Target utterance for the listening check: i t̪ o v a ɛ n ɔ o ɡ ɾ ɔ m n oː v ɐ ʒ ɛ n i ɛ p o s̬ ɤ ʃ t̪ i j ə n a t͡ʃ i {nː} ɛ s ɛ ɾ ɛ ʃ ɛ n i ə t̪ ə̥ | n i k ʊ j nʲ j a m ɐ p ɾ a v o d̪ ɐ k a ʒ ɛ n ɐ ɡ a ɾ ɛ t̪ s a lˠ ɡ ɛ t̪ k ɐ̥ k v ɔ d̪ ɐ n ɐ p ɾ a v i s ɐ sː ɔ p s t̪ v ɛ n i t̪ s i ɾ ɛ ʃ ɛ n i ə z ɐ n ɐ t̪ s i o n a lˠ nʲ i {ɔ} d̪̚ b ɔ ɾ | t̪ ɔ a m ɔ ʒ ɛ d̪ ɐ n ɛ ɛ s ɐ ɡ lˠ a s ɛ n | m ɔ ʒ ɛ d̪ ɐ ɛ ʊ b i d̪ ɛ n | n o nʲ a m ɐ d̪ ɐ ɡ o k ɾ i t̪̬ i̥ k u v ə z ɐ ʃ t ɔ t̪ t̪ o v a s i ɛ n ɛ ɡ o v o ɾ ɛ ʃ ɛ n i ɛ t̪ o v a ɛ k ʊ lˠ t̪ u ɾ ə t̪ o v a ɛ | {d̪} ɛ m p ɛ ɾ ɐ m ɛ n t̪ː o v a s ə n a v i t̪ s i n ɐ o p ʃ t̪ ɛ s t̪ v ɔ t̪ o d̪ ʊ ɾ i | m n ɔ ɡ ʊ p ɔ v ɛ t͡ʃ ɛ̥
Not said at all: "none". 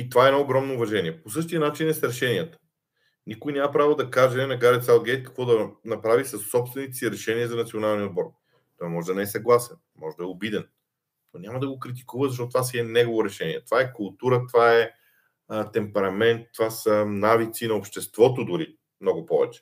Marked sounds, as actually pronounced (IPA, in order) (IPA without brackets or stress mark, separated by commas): n, o, t̪